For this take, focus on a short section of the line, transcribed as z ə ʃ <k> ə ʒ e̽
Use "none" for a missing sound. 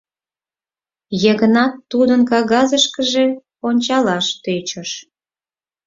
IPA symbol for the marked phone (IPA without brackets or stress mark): k